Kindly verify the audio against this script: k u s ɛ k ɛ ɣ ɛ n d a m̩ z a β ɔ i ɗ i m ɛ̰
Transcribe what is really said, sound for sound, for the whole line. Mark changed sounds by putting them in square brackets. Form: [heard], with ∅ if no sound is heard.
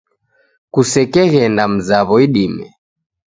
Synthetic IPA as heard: k u s ɛ k ɛ ɣ ɛ n d a m̩ z a β ɔ i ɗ i m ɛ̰